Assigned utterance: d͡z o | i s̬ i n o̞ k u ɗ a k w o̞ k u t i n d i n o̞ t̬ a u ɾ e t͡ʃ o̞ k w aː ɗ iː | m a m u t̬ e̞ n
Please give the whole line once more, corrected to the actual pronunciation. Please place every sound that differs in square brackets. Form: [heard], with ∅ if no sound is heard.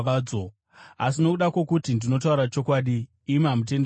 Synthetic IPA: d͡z o | [a] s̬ i n o̞ k u ɗ a k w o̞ k u t i n d i n o̞ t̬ a u ɾ [a] t͡ʃ o̞ k w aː ɗ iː | m a m u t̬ e̞ n